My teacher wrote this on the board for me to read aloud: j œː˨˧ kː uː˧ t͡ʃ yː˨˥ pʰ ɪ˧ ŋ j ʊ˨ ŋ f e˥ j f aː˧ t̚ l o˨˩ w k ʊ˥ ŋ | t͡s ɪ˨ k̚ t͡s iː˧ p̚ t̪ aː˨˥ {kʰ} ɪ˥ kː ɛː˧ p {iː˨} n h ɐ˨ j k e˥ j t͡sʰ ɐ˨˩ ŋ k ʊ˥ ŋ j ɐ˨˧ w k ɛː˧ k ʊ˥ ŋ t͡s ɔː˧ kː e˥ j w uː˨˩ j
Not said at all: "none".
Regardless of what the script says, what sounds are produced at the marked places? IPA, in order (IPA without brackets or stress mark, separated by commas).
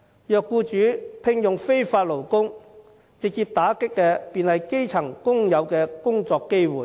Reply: k, iː˨